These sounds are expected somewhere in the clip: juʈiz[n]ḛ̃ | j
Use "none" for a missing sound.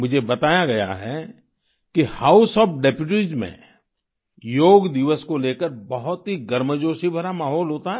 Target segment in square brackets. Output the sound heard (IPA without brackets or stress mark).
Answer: m